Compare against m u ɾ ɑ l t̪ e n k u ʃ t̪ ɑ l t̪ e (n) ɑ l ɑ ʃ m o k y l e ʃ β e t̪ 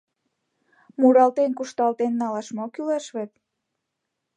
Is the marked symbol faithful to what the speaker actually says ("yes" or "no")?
no